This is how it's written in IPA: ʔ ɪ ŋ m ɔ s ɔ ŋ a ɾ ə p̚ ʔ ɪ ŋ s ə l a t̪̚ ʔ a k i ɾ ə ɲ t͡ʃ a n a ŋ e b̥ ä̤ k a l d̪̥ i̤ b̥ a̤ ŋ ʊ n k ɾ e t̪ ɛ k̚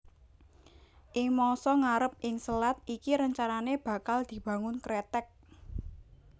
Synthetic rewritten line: ʔ ɪ ŋ m ɔ s ɔ ŋ a ɾ ə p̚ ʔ ɪ ŋ s ə l a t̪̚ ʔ i k i ɾ ə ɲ t͡ʃ a n a n e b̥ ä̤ k a l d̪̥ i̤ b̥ a̤ ŋ ʊ n k ɾ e t̪ ɛ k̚